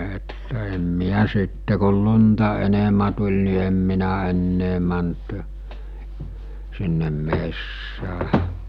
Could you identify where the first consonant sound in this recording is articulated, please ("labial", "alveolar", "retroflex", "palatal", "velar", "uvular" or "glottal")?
alveolar